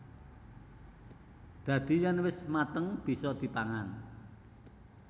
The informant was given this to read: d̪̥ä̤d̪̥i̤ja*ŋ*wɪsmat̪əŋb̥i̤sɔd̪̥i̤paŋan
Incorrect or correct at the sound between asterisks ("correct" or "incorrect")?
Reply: incorrect